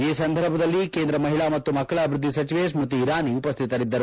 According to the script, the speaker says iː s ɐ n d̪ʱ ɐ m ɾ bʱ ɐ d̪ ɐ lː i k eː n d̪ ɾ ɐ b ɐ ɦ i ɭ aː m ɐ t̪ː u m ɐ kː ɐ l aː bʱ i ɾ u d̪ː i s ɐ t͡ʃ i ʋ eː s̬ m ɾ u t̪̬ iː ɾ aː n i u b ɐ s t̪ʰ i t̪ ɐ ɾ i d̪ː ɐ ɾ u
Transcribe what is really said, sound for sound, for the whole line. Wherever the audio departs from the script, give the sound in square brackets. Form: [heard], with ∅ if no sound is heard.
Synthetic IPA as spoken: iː s ɐ n d̪ʱ ɐ [∅] ɾ bʱ ɐ d̪ ɐ lː i k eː n d̪ ɾ ɐ [m] ɐ ɦ i ɭ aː m ɐ t̪ː u m ɐ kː ɐ [ɭ] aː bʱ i ɾ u d̪ː i s ɐ t͡ʃ i ʋ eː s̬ m ɾ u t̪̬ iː ɾ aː n i u [p] ɐ s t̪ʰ i t̪ ɐ ɾ i d̪ː ɐ ɾ u